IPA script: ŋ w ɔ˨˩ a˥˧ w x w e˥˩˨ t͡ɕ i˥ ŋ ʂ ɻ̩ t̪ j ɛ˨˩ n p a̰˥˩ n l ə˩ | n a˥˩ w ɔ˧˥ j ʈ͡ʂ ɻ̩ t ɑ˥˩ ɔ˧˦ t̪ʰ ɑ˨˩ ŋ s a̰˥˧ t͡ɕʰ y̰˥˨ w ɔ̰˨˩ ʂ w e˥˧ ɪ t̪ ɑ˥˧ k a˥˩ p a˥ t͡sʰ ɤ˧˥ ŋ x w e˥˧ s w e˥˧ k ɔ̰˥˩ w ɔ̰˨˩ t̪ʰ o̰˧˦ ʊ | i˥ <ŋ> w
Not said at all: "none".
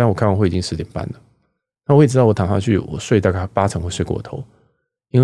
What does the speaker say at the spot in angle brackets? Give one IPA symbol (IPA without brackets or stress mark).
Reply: n